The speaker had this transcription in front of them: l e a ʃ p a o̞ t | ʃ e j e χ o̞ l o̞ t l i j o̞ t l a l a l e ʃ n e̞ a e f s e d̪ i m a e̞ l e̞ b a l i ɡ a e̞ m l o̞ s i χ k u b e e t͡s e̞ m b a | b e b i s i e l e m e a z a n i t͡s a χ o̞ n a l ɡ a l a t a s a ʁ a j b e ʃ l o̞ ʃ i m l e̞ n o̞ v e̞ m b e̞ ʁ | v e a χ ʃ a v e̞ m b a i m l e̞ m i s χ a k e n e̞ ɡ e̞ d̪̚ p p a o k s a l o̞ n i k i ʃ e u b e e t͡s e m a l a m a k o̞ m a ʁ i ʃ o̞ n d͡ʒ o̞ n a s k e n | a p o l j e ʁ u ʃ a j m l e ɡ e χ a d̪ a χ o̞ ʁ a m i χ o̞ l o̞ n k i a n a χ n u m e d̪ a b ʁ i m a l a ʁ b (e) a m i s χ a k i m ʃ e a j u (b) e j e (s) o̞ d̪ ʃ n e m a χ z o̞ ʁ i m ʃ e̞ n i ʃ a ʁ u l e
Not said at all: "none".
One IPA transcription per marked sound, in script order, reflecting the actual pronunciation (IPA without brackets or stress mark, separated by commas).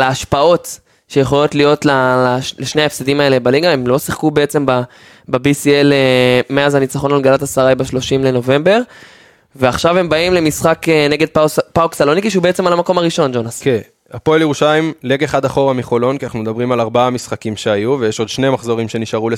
a, v, ʃ